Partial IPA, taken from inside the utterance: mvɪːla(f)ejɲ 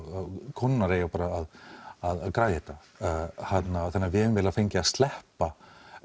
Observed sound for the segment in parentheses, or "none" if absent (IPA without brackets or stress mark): f